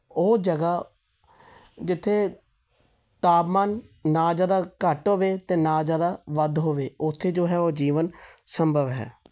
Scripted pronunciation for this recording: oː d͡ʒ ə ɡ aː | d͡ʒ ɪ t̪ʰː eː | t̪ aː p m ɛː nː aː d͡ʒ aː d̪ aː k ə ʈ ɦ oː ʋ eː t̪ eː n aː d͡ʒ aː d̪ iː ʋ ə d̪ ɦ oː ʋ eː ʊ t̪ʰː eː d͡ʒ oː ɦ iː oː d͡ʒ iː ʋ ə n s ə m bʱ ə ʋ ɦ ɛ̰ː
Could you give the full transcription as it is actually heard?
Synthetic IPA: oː d͡ʒ ə ɡ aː | d͡ʒ ɪ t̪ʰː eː | t̪ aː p m aː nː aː d͡ʒ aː d̪ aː k ə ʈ ɦ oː ʋ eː t̪ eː n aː d͡ʒ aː d̪ aː ʋ ə d̪ ɦ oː ʋ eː ʊ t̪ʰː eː d͡ʒ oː ɦ ɛː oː d͡ʒ iː ʋ ə n s ə m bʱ ə ʋ ɦ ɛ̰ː